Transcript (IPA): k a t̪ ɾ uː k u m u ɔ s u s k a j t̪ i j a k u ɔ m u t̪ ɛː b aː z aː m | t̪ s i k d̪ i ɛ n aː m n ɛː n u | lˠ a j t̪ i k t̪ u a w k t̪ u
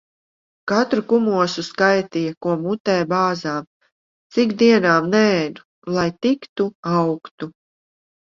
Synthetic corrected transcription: k a t̪ ɾ u k u m u ɔ s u s k a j t̪ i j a k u ɔ m u t̪ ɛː b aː z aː m | t̪ s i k d̪ i ɛ n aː m n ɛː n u | lˠ a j t̪ i k t̪ u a w k t̪ u